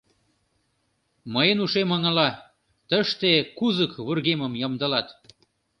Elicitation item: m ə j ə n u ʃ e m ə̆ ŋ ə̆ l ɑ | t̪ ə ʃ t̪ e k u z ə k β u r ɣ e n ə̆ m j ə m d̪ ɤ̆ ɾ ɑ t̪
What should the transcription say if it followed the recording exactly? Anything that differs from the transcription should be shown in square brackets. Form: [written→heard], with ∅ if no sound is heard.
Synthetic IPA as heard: m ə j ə n u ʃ e m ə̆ ŋ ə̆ l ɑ | t̪ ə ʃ t̪ e k u z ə k β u r ɣ e [n→m] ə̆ m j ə m d̪ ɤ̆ [ɾ→l] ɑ t̪